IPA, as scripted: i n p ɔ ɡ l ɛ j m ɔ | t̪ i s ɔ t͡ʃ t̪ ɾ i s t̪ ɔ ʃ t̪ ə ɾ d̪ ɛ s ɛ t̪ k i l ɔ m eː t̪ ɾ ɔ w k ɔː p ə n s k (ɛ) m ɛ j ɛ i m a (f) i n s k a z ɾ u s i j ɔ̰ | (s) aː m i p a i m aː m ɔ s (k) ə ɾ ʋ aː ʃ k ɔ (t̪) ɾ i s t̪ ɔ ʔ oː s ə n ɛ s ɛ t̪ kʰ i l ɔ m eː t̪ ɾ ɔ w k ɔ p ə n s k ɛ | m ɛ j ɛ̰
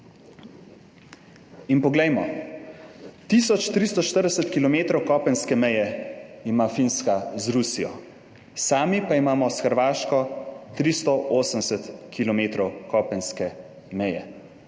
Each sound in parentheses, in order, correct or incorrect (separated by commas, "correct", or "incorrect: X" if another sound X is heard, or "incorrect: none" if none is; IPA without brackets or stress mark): correct, correct, correct, incorrect: x, correct